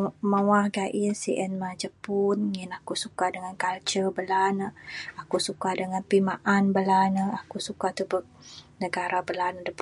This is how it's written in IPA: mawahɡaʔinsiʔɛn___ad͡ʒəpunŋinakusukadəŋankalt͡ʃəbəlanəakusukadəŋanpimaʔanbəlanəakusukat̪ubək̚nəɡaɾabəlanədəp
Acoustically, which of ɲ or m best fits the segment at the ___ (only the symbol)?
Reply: m